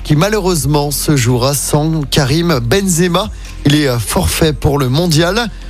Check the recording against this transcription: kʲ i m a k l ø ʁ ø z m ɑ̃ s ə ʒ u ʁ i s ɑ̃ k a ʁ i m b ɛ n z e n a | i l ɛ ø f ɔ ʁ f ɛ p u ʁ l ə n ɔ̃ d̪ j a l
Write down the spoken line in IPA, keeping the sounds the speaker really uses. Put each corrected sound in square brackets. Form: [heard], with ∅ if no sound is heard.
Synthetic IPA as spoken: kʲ i m a [∅] l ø ʁ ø z m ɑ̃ s ə ʒ u ʁ [a] s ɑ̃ k a ʁ i m b ɛ n z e [m] a | i l ɛ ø f ɔ ʁ f ɛ p u ʁ l ə [m] ɔ̃ d̪ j a l